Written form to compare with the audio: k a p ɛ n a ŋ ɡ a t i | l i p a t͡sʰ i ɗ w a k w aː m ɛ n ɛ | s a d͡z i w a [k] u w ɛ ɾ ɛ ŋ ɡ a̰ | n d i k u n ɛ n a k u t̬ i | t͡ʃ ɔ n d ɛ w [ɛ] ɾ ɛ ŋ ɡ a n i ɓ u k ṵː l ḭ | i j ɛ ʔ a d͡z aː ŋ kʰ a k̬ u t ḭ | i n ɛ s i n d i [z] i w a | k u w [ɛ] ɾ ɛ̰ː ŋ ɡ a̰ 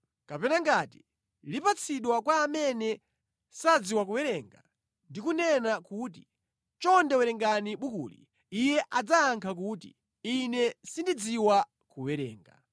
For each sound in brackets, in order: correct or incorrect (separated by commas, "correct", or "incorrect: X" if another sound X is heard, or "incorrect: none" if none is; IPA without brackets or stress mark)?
correct, correct, incorrect: d͡z, correct